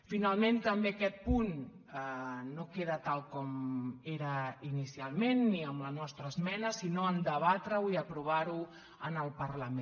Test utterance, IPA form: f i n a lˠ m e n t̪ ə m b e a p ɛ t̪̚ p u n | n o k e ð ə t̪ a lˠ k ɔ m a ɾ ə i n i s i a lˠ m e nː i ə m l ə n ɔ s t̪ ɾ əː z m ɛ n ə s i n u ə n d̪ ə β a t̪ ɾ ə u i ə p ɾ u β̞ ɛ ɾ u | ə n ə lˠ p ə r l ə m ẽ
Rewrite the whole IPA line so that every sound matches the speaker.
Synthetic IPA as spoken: f i n a lˠ m e n t̪ ə m b e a k ɛ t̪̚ p u n | n o k e ð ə t̪ a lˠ k ɔ m e ɾ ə i n i s i a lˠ m e nː i ə m l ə n ɔ s t̪ ɾ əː z m ɛ n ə s i n o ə n d̪ ə β a t̪ ɾ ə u i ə p ɾ u β̞ a ɾ u | ə n ə lˠ p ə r l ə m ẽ